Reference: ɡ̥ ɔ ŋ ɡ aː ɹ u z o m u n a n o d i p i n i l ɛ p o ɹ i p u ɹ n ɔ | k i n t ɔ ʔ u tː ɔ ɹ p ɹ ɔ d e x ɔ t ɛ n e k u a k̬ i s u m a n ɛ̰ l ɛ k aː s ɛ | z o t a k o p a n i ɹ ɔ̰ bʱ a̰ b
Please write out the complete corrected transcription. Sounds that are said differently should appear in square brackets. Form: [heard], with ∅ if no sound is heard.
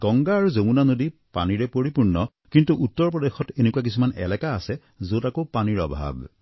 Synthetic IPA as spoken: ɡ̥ ɔ ŋ ɡ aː ɹ u z o m u n a n o d i p [a] n i [ɹ] ɛ p o ɹ i p u ɹ n ɔ | k i n t [u] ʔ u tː ɔ ɹ p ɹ ɔ d e x ɔ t [e] n e k u a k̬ i s u m a n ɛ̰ l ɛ k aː s ɛ | z o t a k o p a n i ɹ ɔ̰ bʱ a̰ b

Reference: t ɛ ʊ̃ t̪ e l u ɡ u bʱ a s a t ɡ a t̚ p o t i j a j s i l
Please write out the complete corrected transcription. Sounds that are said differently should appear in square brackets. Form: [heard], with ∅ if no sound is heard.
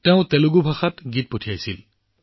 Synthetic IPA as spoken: t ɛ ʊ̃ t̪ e l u ɡ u bʱ a [x] a t ɡ [i] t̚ p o [tʰ] i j a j s i l

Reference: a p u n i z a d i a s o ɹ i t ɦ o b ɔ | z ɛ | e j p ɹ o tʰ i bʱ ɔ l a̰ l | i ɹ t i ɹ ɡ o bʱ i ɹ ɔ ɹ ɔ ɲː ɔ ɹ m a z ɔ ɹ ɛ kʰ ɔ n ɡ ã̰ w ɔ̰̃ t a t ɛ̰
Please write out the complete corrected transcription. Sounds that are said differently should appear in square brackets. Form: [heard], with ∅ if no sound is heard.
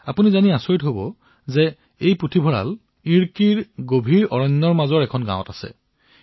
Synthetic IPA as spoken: a p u n i z a [n] i a s o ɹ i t ɦ o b ɔ | z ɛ | e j p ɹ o tʰ i bʱ ɔ [ɹ] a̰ l | i ɹ [k] i ɹ ɡ o bʱ i ɹ ɔ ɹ ɔ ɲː ɔ ɹ m a z ɔ ɹ ɛ kʰ ɔ n ɡ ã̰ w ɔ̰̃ t a [s] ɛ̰

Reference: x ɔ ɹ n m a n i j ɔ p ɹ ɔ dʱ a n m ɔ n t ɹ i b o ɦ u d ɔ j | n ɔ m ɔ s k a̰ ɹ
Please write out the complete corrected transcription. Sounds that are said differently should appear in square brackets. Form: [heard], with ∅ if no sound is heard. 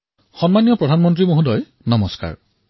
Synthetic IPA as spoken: x ɔ [∅] n m a n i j ɔ p ɹ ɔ dʱ a n m ɔ n t ɹ i [m] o ɦ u d ɔ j | n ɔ m ɔ s k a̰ ɹ

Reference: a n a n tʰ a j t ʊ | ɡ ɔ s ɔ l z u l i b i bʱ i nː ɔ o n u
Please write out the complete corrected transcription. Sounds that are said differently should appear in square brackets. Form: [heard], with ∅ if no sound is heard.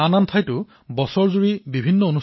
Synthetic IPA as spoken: a n a n tʰ a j t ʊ | [b] ɔ s ɔ [ɹ] z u [ɹ] i b i bʱ i nː ɔ o n u

